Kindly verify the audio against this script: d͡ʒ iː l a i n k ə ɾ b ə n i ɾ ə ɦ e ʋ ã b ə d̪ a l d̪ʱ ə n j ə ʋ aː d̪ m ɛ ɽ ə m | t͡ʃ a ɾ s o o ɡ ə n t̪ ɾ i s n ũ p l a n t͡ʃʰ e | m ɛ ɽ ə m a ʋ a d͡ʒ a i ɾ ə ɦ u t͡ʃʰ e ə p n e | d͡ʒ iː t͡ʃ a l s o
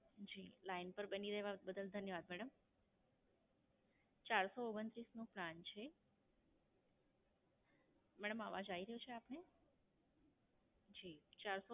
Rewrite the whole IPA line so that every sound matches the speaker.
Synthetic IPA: d͡ʒ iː l a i n p ə ɾ b ə n i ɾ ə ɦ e ʋ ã b ə d̪ ə l d̪ʱ ə n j ə ʋ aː d̪ m ɛ ɽ ə m | t͡ʃ a ɾ s o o ɡ ə n t̪ ɾ i s n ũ p l a n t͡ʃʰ e | m ɛ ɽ ə m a ʋ a d͡ʒ a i ɾ ə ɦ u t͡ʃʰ e a p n e | d͡ʒ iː t͡ʃ a ɾ s o

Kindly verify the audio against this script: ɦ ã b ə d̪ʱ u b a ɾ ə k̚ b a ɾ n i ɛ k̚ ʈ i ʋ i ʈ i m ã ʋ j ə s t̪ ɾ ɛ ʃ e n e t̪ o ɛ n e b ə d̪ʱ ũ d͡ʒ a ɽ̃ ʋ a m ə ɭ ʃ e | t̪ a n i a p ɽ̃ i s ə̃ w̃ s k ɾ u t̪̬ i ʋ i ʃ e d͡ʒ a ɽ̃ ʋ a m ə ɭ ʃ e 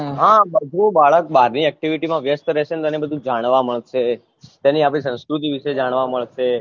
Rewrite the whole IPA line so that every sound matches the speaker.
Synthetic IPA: ɦ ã b ə d̪ʱ u b a ɭ ə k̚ b a ɾ n i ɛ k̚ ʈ i ʋ i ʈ i m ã ʋ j ə s t̪ ɾ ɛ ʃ e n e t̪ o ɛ n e b ə d̪ʱ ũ d͡ʒ a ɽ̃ ʋ a m ə ɭ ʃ e | t̪ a n i a p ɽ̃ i s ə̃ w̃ s k ɾ u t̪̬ i ʋ i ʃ e d͡ʒ a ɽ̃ ʋ a m ə ɭ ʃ e

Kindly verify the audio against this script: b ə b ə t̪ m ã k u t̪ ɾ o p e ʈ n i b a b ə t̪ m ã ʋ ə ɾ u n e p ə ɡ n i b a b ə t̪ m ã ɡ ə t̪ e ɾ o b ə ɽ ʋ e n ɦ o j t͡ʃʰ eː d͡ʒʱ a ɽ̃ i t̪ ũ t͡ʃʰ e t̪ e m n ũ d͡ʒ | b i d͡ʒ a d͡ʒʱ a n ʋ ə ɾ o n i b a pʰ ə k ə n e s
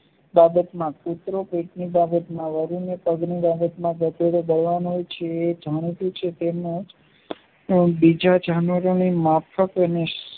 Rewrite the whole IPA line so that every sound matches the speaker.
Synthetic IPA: b a b ə t̪ m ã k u t̪ ɾ o p e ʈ n i b a b ə t̪ m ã ʋ ə ɾ u n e p ə ɡ n i b a b ə t̪ m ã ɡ ə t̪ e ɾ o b ə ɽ ʋ a n ɦ o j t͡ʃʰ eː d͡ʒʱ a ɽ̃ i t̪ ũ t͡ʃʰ e t̪ e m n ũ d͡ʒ | b i d͡ʒ a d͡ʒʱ a n ʋ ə ɾ o n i m a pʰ ə k ə n e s

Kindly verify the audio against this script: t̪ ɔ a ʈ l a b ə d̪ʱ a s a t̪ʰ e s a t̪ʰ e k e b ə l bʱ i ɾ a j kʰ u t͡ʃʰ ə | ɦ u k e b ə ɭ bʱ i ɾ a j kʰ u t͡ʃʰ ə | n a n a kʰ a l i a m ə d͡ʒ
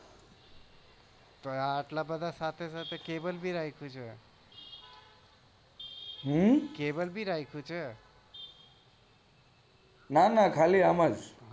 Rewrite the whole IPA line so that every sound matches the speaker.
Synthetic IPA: t̪ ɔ a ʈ l a b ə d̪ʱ a s a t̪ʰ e s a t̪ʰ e k e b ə l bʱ i ɾ a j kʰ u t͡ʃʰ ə | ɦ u k e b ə l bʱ i ɾ a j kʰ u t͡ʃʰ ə | n a n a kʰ a l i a m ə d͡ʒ

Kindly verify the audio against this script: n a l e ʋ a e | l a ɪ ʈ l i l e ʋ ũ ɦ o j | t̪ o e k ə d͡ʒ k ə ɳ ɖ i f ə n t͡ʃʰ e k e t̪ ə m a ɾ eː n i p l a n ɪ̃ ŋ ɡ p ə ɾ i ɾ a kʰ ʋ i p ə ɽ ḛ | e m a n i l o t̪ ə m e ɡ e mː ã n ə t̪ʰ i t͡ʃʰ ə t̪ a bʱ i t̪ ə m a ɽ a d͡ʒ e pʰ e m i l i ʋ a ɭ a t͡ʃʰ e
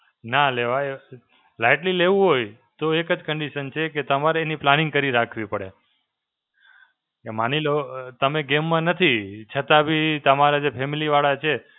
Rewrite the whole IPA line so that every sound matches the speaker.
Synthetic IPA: n a l e ʋ a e | l a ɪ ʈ l i l e ʋ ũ ɦ o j | t̪ o e k ə d͡ʒ k ə ɳ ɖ i ʃ ə n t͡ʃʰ e k e t̪ ə m a ɾ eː n i p l a n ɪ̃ ŋ ɡ k ə ɾ i ɾ a kʰ ʋ i p ə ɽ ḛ | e m a n i l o t̪ ə m e ɡ e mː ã n ə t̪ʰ i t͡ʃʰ ə t̪ a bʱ i t̪ ə m a ɾ a d͡ʒ e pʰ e m i l i ʋ a ɭ a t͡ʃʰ e

